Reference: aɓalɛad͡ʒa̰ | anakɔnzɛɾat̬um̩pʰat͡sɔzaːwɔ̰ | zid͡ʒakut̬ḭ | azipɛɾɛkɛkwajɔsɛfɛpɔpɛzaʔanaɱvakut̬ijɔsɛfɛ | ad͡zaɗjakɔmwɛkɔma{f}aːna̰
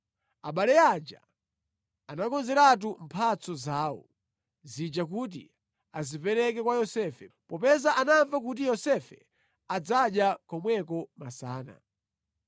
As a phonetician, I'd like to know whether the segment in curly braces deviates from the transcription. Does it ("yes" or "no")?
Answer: yes